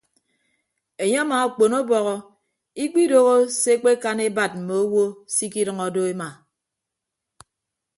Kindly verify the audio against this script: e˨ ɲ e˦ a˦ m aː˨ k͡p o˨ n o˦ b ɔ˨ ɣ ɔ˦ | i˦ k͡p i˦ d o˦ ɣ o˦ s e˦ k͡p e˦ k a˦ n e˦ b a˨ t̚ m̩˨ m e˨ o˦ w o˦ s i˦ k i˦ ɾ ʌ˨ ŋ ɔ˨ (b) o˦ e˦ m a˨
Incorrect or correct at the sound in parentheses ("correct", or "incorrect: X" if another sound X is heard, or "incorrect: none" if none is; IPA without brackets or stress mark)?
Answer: incorrect: d